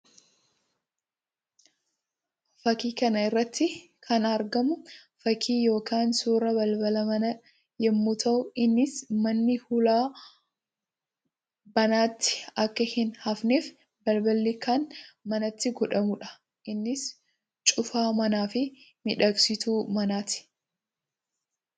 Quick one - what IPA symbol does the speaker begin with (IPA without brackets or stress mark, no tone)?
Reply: f